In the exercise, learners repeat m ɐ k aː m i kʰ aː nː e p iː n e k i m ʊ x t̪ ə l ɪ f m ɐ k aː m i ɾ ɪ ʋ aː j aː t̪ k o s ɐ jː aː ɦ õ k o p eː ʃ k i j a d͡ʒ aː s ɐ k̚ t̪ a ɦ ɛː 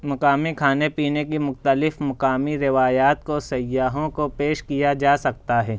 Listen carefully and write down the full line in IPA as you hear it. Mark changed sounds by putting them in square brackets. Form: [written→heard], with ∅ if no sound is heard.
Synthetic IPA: m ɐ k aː m i kʰ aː [nː→n] e p iː n e k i m ʊ x t̪ ə l ɪ f m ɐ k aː m i ɾ ɪ ʋ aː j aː t̪ k o s ɐ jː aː ɦ õ k o p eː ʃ k i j a d͡ʒ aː s ɐ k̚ t̪ a ɦ ɛː